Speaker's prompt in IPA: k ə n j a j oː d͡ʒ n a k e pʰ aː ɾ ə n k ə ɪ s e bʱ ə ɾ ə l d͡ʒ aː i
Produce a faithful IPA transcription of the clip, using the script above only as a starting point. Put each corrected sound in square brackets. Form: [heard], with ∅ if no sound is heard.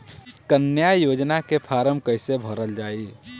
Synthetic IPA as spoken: k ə n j a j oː d͡ʒ n a k e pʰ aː ɾ ə [m] k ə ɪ s e bʱ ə ɾ ə l d͡ʒ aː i